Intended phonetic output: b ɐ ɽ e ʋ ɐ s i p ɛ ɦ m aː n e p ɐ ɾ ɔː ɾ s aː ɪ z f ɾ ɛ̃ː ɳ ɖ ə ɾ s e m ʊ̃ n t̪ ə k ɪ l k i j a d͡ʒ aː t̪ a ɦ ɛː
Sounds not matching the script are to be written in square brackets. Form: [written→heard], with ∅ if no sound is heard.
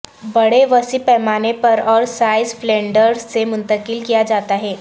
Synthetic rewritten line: b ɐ ɽ e ʋ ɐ s i p ɛ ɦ m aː n e p ɐ ɾ ɔː ɾ s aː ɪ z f [ɾ→l] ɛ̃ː ɳ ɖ ə ɾ s e m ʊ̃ n t̪ ə k ɪ l k i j a d͡ʒ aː t̪ a ɦ ɛː